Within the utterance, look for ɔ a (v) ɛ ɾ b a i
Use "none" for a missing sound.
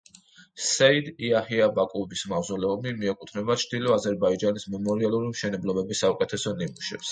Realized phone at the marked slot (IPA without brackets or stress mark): z